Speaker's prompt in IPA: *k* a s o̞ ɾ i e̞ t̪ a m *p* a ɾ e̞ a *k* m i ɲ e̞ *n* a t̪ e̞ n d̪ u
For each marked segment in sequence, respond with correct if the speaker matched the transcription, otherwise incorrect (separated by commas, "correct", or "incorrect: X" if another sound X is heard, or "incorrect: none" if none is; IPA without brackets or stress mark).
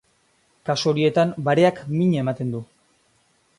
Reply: correct, incorrect: b, correct, incorrect: m